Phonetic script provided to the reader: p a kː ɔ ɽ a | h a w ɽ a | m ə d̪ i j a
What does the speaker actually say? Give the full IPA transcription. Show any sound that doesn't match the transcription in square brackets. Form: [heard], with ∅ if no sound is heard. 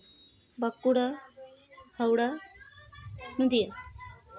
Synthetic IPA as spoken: [b] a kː [u] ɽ a | h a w ɽ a | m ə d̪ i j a

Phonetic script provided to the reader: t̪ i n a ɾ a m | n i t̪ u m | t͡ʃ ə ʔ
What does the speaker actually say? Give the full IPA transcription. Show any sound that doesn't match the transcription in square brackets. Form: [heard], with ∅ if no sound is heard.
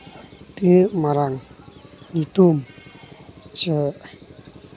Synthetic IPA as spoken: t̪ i [m] a ɾ a [ŋ] | n i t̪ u m | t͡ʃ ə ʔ

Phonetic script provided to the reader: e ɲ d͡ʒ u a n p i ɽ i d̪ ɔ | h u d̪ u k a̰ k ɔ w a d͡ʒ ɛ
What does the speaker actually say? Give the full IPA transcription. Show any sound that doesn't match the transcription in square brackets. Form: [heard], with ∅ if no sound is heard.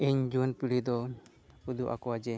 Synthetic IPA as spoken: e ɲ d͡ʒ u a n p i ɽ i d̪ ɔ | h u d̪ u [ʔ] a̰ k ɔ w a d͡ʒ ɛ

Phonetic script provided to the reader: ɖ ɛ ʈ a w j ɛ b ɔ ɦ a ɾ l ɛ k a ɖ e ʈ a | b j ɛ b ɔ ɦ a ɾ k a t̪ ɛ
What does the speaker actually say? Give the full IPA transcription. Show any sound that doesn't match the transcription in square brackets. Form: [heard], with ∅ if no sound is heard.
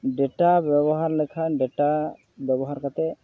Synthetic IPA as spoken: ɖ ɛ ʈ a [b] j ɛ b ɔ ɦ a ɾ l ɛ [kʰ] a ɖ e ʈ a | b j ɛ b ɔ ɦ a ɾ k a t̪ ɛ

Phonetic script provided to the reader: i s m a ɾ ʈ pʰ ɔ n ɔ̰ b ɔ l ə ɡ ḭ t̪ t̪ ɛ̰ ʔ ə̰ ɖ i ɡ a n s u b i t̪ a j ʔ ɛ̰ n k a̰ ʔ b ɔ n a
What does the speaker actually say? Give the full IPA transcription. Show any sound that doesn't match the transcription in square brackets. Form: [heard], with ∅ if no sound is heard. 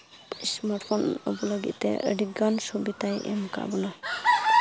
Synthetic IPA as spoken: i s m a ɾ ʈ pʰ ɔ n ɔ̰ b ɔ l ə ɡ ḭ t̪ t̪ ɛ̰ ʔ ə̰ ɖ i ɡ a n s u b i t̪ a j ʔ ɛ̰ [m] k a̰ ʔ b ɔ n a

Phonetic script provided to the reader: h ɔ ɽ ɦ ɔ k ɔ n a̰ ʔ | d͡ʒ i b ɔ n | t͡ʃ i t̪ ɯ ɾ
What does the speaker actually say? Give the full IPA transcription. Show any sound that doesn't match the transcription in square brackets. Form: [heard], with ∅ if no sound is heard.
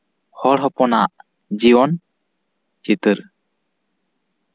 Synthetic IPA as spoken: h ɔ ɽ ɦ ɔ [p] ɔ n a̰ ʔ | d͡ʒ i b ɔ n | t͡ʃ i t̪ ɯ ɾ

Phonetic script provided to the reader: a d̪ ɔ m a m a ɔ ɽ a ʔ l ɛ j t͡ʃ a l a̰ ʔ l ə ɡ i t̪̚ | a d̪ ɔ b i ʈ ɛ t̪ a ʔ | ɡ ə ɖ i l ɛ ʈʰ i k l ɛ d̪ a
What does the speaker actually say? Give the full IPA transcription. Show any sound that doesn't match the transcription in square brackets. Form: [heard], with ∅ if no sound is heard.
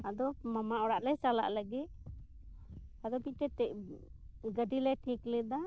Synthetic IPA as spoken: a d̪ ɔ m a m a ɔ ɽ a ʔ l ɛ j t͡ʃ a l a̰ ʔ l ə ɡ i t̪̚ | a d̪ ɔ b i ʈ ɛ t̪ [ɛ] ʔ | ɡ ə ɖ i l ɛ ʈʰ i k l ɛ d̪ a

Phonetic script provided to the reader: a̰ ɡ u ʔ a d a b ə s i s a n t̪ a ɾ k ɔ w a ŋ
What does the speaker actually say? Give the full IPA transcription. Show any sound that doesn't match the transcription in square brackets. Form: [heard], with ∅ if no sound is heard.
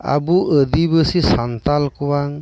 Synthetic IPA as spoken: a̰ [b] u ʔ [ə] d [i] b ə s i s a n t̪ a [l] k [u] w a ŋ

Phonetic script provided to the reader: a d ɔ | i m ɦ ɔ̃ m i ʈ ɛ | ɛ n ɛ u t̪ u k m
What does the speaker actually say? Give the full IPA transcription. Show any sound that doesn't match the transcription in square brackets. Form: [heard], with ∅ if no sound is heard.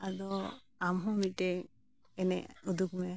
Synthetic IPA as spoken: a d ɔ | [a] m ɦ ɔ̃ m i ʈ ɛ | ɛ n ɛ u [d̪] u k m

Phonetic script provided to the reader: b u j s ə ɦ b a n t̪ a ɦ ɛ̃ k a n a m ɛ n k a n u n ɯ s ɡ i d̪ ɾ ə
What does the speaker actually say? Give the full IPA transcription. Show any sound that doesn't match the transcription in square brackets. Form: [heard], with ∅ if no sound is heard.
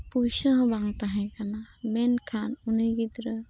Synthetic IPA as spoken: [p] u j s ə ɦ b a [ŋ] t̪ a ɦ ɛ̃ k a n a m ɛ n [kʰ] a n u n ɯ [∅] ɡ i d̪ ɾ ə

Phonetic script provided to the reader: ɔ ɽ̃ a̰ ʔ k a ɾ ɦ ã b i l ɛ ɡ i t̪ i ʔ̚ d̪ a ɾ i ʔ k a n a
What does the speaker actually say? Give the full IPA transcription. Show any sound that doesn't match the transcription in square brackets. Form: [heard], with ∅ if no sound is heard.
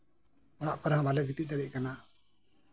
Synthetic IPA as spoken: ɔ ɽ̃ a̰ ʔ [p] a ɾ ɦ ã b [a] l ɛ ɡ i t̪ i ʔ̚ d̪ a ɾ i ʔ k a n a

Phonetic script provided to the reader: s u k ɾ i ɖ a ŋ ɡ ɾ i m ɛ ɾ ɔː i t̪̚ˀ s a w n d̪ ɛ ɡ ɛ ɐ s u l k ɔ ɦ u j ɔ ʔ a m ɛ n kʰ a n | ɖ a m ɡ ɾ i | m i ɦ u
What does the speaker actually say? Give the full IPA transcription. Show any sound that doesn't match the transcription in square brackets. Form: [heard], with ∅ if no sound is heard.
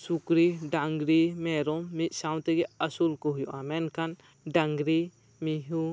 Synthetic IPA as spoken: s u k ɾ i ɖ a ŋ ɡ ɾ i m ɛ ɾ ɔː i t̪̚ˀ s a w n [t̪] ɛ ɡ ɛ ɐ s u l k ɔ ɦ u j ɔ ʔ a m ɛ n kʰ a n | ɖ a [ŋ] ɡ ɾ i | m i ɦ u

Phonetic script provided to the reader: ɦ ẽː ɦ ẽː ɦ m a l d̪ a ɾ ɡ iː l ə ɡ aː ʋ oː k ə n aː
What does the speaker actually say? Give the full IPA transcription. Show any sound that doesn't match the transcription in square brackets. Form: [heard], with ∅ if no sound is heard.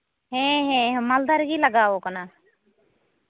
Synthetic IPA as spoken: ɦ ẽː ɦ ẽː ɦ m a l d̪ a ɾ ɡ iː l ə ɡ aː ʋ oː k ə n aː

